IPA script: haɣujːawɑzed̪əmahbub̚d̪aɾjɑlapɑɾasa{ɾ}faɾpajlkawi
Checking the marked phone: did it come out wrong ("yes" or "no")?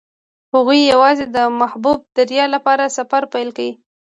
yes